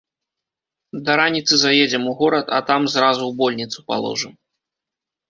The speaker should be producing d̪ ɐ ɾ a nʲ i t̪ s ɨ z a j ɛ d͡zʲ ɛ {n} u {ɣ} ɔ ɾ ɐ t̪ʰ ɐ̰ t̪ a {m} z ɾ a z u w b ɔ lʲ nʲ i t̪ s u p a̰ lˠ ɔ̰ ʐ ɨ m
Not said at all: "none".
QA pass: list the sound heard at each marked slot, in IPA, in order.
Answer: m, ɣ, m

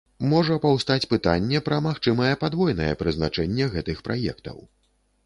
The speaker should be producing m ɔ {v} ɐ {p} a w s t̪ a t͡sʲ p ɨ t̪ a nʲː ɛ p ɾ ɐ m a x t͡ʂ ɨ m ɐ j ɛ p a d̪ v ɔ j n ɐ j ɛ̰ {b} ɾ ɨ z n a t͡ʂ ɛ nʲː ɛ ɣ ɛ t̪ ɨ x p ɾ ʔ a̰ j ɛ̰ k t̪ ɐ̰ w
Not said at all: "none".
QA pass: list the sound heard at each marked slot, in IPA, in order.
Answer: ʐ, p, p

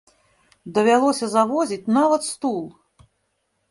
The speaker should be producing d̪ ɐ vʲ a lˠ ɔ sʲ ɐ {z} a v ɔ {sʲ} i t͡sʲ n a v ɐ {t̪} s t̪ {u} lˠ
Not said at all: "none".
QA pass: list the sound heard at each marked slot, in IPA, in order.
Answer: z, zʲ, t̪, u

